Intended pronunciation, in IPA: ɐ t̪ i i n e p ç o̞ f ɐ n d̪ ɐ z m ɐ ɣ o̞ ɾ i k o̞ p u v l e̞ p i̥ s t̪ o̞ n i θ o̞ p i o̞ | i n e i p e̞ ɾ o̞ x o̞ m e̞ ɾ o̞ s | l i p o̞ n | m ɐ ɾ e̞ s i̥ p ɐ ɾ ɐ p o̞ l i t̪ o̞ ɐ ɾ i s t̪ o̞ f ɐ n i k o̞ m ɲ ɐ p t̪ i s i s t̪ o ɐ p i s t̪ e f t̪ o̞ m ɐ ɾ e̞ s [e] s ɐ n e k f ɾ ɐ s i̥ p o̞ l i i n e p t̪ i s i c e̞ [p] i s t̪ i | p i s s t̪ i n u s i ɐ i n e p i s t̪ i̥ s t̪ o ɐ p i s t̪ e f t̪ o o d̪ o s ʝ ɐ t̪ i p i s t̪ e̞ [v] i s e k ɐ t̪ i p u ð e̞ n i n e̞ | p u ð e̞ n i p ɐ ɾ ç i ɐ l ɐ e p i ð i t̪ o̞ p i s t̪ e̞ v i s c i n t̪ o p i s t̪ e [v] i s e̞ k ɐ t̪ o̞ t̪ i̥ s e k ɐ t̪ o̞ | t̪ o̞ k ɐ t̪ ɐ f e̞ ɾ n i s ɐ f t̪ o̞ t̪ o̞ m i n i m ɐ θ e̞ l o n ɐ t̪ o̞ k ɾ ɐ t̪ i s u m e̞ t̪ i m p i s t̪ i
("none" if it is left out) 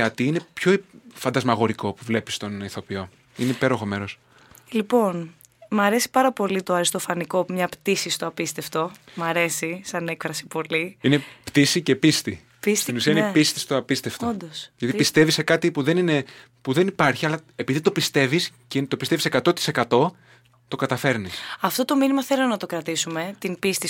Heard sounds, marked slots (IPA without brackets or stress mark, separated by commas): i, p, v, v